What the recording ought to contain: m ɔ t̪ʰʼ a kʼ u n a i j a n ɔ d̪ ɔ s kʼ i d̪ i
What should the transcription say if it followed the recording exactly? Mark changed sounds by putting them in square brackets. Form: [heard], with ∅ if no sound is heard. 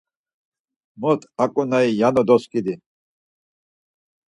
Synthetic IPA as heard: m ɔ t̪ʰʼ a kʼ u n a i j a n ɔ d̪ ɔ s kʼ i d̪ i